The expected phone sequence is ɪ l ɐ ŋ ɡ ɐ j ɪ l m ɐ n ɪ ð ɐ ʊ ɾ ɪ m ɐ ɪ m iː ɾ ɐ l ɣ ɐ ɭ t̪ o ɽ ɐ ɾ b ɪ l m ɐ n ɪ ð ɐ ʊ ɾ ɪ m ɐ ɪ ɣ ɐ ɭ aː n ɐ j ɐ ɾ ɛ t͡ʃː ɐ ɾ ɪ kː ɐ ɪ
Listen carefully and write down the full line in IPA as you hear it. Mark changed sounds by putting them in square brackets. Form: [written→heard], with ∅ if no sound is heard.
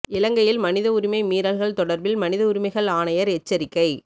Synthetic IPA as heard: ɪ l ɐ ŋ ɡ ɐ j ɪ l m ɐ n ɪ ð ɐ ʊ ɾ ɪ m ɐ ɪ m iː ɾ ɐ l ɣ ɐ ɭ t̪ [o→ɔ] ɽ ɐ ɾ b ɪ l m ɐ n ɪ ð ɐ ʊ ɾ ɪ m ɐ ɪ ɣ ɐ ɭ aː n ɐ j ɐ ɾ ɛ t͡ʃː ɐ ɾ ɪ kː ɐ ɪ